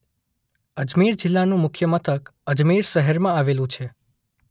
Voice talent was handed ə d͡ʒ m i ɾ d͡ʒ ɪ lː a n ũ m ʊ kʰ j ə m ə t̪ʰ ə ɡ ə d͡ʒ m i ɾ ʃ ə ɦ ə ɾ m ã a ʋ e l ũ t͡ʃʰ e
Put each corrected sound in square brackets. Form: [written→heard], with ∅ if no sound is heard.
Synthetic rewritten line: ə d͡ʒ m i ɾ d͡ʒ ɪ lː a n ũ m ʊ kʰ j ə m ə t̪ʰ ə [ɡ→k] ə d͡ʒ m i ɾ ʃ ə ɦ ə ɾ m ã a ʋ e l ũ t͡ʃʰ e

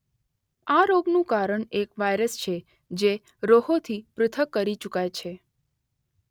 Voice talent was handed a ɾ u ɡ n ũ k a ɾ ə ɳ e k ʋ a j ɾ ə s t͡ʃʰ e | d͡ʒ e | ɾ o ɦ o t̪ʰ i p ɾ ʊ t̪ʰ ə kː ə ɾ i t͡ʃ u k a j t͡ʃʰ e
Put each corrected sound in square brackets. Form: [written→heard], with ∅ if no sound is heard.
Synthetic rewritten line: a ɾ [u→o] ɡ n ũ k a ɾ ə ɳ e k ʋ a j ɾ ə s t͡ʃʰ e | d͡ʒ e | ɾ o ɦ o t̪ʰ i p ɾ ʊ t̪ʰ ə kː ə ɾ i t͡ʃ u k a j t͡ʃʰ e

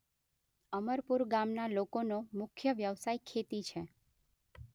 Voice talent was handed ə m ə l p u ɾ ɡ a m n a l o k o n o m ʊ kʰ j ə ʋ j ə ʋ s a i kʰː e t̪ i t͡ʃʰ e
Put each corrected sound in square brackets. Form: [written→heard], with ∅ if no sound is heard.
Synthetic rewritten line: ə m ə [l→ɾ] p u ɾ ɡ a m n a l o k o n o m ʊ kʰ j ə ʋ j ə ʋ s a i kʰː e t̪ i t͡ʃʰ e

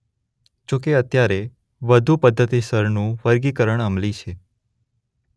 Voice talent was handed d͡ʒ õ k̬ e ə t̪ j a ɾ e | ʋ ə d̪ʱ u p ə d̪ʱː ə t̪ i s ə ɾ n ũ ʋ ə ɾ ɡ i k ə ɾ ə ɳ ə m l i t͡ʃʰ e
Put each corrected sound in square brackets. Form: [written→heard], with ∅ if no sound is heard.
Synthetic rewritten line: d͡ʒ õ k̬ e ə t̪ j a ɾ e | ʋ ə d̪ʱ u p ə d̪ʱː ə t̪ i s ə ɾ n ũ ʋ ə ɾ ɡ i k ə ɾ ə ɳ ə m l i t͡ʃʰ e

